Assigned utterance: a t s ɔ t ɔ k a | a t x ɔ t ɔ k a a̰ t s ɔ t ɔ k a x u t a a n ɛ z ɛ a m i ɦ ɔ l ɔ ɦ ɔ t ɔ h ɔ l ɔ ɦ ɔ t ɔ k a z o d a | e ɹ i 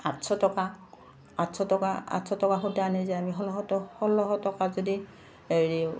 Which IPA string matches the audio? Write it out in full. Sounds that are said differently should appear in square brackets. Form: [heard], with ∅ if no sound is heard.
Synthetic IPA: a t s ɔ t ɔ k a | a t [s] ɔ t ɔ k a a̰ t s ɔ t ɔ k a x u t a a n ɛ z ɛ a m i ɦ ɔ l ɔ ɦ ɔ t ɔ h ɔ l ɔ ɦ ɔ t ɔ k a z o d [i] | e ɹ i